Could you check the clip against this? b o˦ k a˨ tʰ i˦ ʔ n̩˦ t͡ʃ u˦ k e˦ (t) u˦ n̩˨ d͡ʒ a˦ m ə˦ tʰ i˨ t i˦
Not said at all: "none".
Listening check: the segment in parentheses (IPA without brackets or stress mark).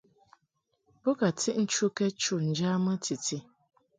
t͡ʃ